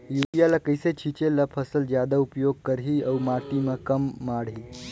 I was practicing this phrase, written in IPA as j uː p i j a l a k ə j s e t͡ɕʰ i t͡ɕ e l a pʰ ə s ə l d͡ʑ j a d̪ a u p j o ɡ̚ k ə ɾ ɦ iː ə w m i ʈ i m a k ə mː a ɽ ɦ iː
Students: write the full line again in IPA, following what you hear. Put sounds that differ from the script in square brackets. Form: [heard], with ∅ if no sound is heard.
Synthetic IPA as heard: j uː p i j a l a k ə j s e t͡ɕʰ i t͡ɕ e l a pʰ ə s ə l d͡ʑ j a d̪ a u p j o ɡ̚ k ə ɾ ɦ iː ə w m [a] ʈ i m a k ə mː a ɽ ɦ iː